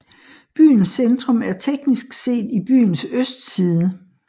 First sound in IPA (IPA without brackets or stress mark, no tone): b̥